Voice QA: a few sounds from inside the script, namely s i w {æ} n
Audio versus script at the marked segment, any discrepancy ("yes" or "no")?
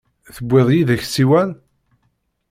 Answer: no